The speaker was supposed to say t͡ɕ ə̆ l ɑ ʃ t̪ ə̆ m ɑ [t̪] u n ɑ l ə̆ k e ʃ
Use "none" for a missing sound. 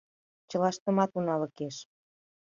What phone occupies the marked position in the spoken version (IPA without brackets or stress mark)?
t̪